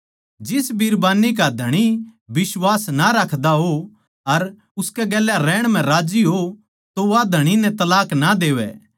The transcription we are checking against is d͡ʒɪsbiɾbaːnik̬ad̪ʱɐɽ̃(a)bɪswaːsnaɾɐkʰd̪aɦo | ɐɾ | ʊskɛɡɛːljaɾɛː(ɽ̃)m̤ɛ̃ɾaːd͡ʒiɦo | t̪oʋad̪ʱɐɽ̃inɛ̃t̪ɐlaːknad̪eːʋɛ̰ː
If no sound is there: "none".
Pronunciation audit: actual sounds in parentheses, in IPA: i, ɽ̃

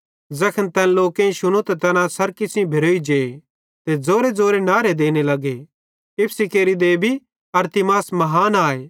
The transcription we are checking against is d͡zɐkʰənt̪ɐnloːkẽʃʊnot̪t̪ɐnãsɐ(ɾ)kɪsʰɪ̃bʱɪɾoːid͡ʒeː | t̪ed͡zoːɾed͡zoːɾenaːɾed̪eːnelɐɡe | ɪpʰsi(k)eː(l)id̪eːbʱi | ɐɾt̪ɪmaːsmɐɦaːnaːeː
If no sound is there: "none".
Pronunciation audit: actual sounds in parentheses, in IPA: ɾ, k, ɾ

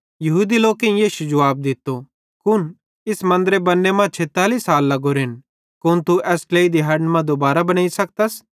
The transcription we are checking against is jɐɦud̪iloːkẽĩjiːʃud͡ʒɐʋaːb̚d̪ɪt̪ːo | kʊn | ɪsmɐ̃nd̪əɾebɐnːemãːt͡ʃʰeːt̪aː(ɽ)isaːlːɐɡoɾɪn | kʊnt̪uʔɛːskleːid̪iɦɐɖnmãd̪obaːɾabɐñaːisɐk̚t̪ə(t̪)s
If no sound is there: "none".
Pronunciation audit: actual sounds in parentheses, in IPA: l, none

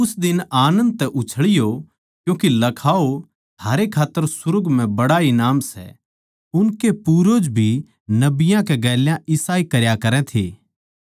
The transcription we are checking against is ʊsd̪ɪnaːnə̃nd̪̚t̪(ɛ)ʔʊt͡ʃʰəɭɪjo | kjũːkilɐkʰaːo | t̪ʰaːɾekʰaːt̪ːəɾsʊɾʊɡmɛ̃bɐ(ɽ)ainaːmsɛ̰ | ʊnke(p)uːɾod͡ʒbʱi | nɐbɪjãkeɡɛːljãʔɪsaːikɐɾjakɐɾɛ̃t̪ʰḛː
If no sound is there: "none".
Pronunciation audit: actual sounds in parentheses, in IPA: ɛ, ɽ, p

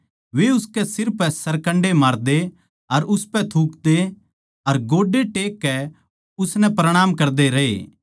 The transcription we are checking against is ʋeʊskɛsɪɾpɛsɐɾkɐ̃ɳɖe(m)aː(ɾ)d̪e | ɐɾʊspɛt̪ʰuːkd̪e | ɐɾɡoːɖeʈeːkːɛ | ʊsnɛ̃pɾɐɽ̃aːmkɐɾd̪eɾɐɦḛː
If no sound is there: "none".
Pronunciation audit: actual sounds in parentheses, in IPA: m, ɾ

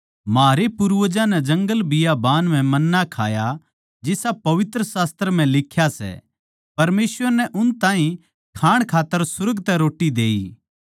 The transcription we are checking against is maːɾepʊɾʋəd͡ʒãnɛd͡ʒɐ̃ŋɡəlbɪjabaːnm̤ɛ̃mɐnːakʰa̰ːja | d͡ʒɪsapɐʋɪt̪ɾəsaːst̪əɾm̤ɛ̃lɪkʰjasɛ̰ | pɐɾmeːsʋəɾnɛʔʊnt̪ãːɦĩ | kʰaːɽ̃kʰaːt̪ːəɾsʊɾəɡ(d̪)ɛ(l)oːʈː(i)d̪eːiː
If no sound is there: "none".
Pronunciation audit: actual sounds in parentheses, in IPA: t̪, ɾ, i

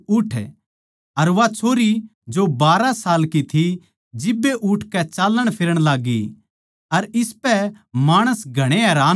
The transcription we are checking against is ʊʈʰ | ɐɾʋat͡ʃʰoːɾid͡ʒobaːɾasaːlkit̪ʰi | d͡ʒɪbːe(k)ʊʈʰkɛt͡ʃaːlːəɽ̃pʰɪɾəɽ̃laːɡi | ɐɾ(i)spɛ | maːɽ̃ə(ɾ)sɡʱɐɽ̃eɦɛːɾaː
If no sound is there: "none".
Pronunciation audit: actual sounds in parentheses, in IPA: ʔ, ɪ, none

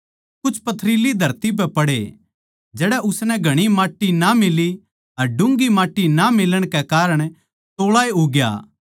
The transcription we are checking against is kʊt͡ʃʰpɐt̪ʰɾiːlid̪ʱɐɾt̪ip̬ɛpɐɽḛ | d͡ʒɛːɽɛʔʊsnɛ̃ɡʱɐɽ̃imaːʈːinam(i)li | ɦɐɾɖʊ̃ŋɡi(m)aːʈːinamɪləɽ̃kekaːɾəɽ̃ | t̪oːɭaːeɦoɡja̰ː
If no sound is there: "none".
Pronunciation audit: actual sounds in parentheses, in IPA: ɪ, m

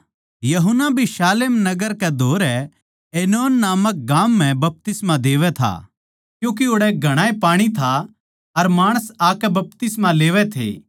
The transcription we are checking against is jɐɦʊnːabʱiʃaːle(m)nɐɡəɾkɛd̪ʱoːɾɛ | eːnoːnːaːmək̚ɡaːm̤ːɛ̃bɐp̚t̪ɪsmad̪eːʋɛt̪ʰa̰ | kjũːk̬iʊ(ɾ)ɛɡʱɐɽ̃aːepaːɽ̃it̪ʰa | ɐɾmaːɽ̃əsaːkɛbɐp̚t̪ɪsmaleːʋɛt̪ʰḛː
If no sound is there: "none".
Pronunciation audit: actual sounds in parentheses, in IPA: m, ɽ

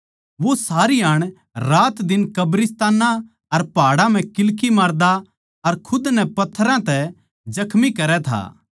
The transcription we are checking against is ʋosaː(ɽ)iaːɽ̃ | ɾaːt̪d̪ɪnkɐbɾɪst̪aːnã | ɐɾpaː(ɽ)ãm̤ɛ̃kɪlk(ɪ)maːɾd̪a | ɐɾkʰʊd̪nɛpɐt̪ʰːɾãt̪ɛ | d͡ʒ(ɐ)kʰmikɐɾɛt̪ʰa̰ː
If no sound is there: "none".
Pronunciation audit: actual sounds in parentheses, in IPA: ɾ, ɽ, i, ɐ

